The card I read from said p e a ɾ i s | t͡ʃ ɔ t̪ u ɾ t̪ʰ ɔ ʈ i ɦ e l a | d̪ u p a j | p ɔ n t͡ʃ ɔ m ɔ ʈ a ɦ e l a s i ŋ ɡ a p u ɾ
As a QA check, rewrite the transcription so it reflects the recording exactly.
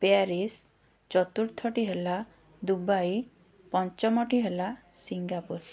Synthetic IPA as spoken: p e a ɾ i s | t͡ʃ ɔ t̪ u ɾ t̪ʰ ɔ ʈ i ɦ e l a | d̪ u b a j | p ɔ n t͡ʃ ɔ m ɔ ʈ i ɦ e l a s i ŋ ɡ a p u ɾ